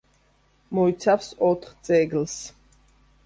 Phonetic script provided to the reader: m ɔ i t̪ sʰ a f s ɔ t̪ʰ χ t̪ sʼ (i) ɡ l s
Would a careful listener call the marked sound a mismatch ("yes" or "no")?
yes